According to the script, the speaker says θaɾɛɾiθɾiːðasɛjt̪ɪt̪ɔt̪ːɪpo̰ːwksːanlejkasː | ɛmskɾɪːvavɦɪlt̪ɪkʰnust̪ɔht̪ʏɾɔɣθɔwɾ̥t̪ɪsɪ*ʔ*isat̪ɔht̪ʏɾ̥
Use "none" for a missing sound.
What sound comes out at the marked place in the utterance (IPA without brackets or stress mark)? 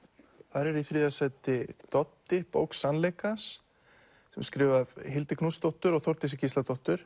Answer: c